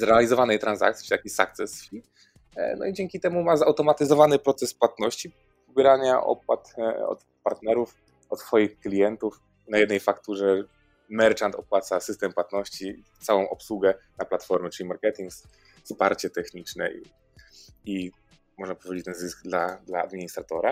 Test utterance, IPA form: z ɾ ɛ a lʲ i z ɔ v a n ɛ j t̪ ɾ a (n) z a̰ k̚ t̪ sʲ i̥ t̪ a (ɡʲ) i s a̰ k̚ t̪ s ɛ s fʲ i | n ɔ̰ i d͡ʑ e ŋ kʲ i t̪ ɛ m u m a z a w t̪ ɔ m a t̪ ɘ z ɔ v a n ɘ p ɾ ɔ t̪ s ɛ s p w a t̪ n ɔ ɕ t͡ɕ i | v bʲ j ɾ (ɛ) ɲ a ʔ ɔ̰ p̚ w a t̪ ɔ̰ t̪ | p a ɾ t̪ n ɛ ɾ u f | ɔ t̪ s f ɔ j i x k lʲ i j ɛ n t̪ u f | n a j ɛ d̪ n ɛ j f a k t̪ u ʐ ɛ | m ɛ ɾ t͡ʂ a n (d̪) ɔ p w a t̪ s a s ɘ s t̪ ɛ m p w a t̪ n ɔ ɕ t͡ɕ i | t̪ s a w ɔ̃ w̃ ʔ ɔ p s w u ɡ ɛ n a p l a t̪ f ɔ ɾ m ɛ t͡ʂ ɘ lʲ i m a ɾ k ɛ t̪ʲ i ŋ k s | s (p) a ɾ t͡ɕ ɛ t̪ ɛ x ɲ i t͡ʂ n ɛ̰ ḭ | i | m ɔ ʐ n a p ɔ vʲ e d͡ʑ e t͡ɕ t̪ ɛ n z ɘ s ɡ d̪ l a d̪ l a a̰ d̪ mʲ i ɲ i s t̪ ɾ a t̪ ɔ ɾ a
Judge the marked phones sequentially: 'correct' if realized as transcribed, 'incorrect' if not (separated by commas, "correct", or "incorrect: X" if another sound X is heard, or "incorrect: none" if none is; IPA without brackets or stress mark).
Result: correct, incorrect: kʲ, incorrect: a, incorrect: t̪, correct